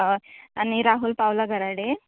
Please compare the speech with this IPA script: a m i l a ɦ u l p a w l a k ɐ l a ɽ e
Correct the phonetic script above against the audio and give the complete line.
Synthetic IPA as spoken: a n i ɾ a ɦ u l p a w l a ɡ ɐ ɾ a ɽ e